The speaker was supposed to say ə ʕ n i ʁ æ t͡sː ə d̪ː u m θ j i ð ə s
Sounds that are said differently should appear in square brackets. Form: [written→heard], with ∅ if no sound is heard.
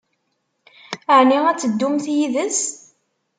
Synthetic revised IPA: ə ʕ n i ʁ æ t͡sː ə d̪ː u m θ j i ð ə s